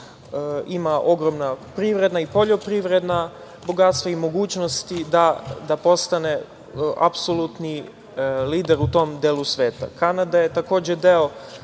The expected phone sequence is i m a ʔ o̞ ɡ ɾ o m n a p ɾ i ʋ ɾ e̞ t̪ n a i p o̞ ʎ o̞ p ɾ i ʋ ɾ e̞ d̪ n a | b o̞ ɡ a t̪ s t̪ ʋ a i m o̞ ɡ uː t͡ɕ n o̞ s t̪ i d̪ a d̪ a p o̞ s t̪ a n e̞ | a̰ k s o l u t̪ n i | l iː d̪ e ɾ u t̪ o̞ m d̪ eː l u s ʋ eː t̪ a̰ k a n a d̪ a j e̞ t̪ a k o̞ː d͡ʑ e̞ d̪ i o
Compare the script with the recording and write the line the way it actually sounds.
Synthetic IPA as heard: i m a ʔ o̞ ɡ ɾ o m n a p ɾ i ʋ ɾ e̞ d̪ n a i p o̞ ʎ o̞ p ɾ i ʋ ɾ e̞ d̪ n a | b o̞ ɡ a t̪ s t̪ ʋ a i m o̞ ɡ uː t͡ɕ n o̞ s t̪ i d̪ a d̪ a p o̞ s t̪ a n e̞ | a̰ p s o l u t̪ n i | l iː d̪ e ɾ u t̪ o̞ m d̪ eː l u s ʋ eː t̪ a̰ k a n a d̪ a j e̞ t̪ a k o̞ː d͡ʑ e̞ d̪ e o

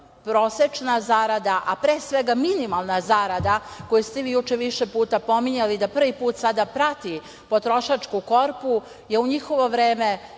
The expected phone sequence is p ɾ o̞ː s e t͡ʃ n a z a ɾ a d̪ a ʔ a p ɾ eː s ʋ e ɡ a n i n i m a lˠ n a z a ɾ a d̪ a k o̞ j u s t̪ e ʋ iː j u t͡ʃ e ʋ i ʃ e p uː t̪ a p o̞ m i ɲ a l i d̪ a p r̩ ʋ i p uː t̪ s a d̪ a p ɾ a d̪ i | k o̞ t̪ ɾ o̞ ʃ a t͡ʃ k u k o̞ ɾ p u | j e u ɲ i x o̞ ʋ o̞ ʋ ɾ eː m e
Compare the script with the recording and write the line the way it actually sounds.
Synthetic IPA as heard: p ɾ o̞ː s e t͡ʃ n a z a ɾ a d̪ a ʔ a p ɾ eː s ʋ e ɡ a m i n i m a lˠ n a z a ɾ a d̪ a k o̞ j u s t̪ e ʋ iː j u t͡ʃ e ʋ i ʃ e p uː t̪ a p o̞ m i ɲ a l i d̪ a p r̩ ʋ i p uː t̪ s a d̪ a p ɾ a t̪ i | p o̞ t̪ ɾ o̞ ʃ a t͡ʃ k u k o̞ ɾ p u | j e u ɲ i x o̞ ʋ o̞ ʋ ɾ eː m e

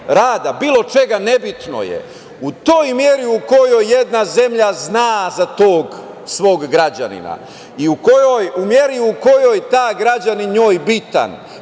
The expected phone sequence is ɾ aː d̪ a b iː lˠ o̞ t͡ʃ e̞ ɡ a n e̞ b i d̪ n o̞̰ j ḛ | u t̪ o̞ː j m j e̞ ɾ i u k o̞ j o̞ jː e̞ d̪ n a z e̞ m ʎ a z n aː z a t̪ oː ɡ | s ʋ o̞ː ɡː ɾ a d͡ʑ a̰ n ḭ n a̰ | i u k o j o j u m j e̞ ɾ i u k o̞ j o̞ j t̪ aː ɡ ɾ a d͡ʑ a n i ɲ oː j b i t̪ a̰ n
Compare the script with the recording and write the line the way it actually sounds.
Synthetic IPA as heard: ɾ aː d̪ a b iː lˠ o̞ t͡ʃ e̞ ɡ a n e̞ b i t̪ n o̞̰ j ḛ | u t̪ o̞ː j m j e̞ ɾ i u k o̞ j o̞ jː e̞ d̪ n a z e̞ m ʎ a z n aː z a t̪ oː ɡ | s ʋ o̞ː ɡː ɾ a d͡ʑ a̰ n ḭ n a̰ | i u k o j o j u m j e̞ ɾ i u k o̞ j o̞ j t̪ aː ɡ ɾ a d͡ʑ a n i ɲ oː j b i t̪ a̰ n

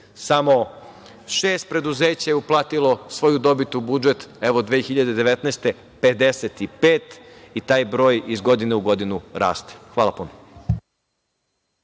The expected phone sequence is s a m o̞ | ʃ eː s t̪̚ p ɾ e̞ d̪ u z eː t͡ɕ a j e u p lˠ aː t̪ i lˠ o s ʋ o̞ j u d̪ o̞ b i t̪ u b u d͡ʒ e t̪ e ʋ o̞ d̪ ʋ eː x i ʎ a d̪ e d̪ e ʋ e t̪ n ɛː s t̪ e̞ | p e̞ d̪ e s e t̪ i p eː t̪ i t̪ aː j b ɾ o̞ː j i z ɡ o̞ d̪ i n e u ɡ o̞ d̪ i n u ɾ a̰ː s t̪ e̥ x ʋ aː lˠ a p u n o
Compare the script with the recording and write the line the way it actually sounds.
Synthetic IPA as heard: s a m o̞ | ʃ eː s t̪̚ p ɾ e̞ d̪ u z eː t͡ɕ a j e u p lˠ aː t̪ i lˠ o s ʋ o̞ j u d̪ o̞ b i t̪ u b u d͡ʒ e t̪ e ʋ o̞ d̪ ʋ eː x i ʎ a d̪ e d̪ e ʋ e t̪ n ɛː s t̪ e̞ | p e̞ d̪ e s e t̪ i p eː t̪ i t̪ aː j b ɾ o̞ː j i z ɡ o̞ d̪ i n e u ɡ o̞ d̪ i n u ɾ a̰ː s t̪ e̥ x ʋ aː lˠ a p u n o

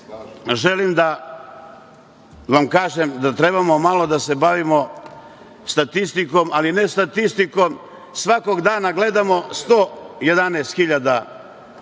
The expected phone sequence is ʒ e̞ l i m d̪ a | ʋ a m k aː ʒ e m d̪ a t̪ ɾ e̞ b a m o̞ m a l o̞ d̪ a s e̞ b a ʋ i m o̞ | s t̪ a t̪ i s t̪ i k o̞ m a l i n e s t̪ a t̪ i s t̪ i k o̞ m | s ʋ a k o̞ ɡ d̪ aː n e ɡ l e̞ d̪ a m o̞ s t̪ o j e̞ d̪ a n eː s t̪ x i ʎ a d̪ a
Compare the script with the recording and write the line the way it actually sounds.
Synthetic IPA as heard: ʒ e̞ l i m d̪ a | ʋ a m k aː ʒ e m d̪ a t̪ ɾ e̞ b a m o̞ m a l o̞ d̪ a s e̞ b a ʋ i m o̞ | s t̪ a t̪ i s t̪ i k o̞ m a l i n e s t̪ a t̪ i s t̪ i k o̞ m | s ʋ a k o̞ ɡ d̪ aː n a ɡ l e̞ d̪ a m o̞ s t̪ o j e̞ d̪ a n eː s t̪ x i ʎ a d̪ a

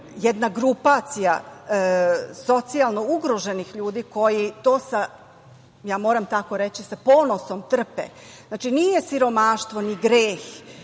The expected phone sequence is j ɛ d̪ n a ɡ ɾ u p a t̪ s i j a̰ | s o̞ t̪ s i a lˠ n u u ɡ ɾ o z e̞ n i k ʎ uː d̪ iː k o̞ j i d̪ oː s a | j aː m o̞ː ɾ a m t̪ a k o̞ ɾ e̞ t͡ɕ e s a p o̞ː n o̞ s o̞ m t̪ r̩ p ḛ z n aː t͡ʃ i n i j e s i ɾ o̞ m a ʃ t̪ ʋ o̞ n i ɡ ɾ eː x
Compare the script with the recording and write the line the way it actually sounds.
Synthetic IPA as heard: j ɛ d̪ n a ɡ ɾ u p a t̪ s i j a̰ | s o̞ t̪ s i a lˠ n o u ɡ ɾ o ʒ e̞ n i x ʎ uː d̪ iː k o̞ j i t̪ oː s a | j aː m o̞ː ɾ a m t̪ a k o̞ ɾ e̞ t͡ɕ i s a p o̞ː n o̞ s o̞ m t̪ r̩ p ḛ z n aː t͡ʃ i n i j e s i ɾ o̞ m a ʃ t̪ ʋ o̞ n i ɡ ɾ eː x

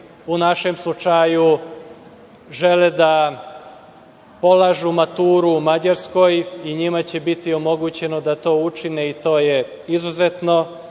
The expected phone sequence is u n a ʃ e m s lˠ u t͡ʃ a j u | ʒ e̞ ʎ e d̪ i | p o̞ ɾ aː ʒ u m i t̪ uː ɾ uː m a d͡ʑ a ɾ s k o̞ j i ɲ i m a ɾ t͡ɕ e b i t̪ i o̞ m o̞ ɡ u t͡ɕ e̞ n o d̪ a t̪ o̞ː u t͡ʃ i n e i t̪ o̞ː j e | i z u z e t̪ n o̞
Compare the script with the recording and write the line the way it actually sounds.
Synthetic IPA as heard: u n a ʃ e m s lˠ u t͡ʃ a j u | ʒ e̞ l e d̪ a | p o̞ l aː ʒ u m a t̪ uː ɾ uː m a d͡ʑ a ɾ s k o̞ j i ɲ i m a t͡ɕ e b i t̪ i o̞ m o̞ ɡ u t͡ɕ e̞ n o d̪ a t̪ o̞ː u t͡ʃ i n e i t̪ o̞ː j e | i z u z e t̪ n o̞

